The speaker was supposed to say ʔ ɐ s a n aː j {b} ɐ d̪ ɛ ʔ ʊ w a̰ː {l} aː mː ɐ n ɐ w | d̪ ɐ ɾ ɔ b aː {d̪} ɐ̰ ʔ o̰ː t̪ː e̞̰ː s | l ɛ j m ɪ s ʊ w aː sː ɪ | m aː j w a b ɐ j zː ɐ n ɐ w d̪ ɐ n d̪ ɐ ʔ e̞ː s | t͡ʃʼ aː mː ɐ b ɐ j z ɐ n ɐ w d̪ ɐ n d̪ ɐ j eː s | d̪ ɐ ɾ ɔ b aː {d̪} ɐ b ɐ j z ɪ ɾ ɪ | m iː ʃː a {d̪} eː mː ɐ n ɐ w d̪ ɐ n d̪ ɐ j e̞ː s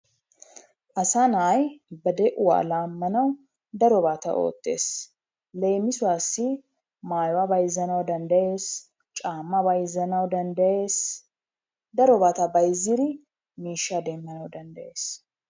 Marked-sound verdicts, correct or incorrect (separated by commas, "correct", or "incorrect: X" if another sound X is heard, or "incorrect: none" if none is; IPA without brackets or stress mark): correct, correct, incorrect: t̪, incorrect: t̪, correct